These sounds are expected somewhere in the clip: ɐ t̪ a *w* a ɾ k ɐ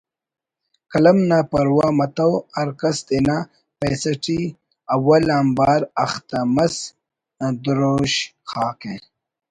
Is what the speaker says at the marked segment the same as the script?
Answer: yes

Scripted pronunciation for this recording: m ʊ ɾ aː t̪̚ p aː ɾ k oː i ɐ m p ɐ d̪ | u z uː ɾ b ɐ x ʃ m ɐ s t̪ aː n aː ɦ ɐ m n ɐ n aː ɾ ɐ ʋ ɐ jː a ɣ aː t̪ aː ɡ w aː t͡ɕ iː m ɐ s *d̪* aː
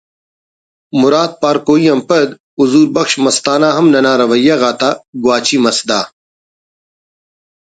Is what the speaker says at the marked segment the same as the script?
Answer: yes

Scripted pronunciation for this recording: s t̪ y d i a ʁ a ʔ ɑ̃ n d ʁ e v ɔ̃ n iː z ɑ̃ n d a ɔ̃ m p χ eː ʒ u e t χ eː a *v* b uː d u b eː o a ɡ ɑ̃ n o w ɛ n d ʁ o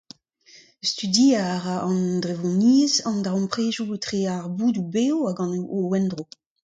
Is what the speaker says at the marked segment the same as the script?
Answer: no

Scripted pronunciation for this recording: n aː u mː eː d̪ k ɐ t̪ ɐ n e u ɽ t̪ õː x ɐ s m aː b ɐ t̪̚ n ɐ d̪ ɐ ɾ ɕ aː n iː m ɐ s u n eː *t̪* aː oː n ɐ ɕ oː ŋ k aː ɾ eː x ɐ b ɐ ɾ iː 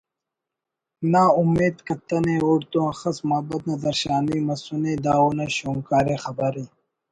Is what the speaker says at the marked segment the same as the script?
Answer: no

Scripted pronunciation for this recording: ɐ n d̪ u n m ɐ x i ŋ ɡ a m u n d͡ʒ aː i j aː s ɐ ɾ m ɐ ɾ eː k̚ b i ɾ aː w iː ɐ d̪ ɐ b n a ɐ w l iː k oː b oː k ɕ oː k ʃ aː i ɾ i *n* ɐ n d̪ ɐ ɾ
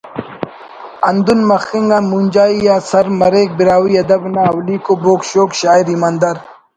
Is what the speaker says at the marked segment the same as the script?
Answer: no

